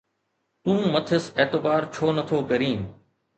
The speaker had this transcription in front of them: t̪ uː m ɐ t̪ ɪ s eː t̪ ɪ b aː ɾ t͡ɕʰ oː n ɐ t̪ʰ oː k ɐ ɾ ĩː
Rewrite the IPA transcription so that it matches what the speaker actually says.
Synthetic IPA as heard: t̪ ũː m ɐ t̪ʰ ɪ s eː t̪ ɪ b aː ɾ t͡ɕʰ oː n ɐ t̪ʰ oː k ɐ ɾ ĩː